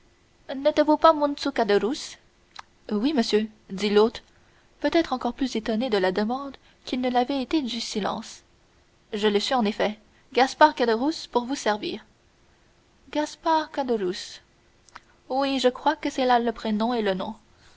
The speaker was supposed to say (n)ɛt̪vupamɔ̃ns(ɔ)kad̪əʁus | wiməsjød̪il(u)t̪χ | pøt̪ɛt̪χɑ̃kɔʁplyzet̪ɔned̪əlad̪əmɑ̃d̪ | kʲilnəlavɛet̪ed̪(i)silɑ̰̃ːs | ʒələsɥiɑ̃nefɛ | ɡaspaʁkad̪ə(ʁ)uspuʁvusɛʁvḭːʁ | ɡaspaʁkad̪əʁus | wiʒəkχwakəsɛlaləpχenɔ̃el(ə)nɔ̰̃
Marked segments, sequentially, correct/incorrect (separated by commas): correct, incorrect, incorrect, incorrect, correct, correct